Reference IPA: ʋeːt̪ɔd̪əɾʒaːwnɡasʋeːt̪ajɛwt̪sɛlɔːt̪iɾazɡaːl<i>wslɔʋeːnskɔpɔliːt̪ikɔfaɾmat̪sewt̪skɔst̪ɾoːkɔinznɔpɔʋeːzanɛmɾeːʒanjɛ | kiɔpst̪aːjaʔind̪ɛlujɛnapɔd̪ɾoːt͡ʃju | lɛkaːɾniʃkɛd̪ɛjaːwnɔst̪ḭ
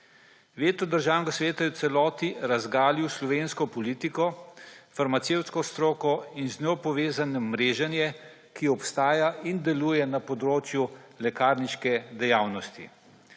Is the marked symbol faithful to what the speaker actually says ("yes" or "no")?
yes